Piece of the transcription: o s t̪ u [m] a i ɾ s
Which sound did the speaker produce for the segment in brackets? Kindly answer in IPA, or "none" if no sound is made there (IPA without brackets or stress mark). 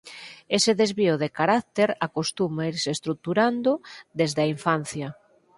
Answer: m